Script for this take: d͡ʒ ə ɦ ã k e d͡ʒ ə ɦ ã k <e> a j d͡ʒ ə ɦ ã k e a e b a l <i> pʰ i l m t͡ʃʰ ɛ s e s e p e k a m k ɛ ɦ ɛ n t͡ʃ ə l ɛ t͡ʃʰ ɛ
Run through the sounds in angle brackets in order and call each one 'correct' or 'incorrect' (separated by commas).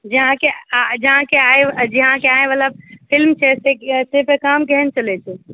correct, incorrect